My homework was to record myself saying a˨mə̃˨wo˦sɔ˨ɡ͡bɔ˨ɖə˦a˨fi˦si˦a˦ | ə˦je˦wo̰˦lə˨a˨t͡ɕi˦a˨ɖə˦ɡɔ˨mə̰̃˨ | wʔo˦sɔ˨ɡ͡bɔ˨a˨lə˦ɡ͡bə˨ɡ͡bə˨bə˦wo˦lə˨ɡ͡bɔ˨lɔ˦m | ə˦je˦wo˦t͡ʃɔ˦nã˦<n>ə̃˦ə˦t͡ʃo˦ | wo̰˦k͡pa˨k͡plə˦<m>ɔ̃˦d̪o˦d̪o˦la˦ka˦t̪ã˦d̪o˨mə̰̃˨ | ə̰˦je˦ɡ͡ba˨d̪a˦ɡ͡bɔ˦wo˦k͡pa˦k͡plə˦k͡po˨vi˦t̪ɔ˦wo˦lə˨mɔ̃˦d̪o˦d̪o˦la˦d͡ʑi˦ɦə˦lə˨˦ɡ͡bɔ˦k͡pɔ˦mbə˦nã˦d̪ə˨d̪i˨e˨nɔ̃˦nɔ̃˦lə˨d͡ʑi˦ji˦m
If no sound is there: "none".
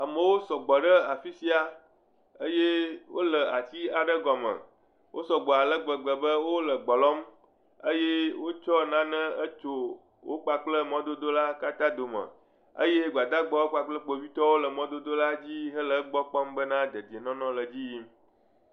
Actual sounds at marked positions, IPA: n, m

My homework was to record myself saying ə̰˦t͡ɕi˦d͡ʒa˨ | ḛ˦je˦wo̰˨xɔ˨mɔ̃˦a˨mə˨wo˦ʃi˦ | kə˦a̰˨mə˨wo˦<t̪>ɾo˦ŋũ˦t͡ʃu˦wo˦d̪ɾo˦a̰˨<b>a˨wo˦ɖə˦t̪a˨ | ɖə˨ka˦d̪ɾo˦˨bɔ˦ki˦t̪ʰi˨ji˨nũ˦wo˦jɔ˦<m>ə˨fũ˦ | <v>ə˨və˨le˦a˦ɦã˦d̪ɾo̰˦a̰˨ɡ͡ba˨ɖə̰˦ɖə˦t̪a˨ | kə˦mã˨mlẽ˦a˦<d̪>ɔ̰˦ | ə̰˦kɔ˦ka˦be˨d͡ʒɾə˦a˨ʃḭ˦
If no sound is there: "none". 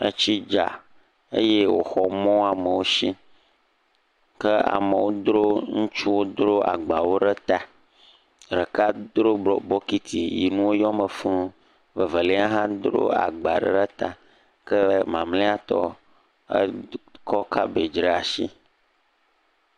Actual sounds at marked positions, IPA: d̪, ɡ͡b, m, v, t̪

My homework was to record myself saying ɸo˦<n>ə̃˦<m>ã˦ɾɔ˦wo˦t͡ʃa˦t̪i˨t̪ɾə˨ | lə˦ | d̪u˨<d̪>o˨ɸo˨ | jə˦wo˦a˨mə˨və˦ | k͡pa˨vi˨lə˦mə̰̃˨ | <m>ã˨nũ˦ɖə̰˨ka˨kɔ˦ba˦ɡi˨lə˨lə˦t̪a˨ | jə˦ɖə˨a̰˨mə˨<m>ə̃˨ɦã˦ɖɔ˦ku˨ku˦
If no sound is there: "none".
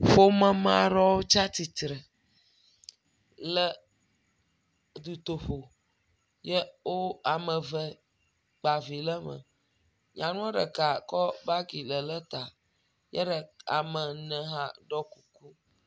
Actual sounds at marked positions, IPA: m, m, t̪, ɲ, n

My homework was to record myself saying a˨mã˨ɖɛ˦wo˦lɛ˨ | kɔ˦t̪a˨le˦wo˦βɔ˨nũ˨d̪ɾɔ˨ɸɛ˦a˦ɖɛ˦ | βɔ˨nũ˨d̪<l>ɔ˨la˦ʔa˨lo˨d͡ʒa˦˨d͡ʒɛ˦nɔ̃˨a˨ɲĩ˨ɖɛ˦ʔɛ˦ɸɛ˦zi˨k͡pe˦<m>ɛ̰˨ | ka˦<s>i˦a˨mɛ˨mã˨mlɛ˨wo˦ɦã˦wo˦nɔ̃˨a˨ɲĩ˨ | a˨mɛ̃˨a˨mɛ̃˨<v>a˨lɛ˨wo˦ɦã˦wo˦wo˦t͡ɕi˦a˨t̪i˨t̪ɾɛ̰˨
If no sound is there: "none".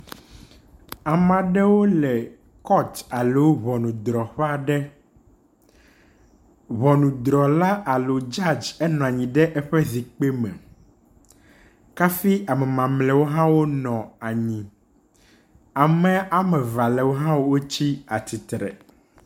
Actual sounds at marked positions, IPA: ɾ, m, f, v

